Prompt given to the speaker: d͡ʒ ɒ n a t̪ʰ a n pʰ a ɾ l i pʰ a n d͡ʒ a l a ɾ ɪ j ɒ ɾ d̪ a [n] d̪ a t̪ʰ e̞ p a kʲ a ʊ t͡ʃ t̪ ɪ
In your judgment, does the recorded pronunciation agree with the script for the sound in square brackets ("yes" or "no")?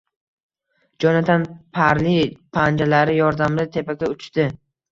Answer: no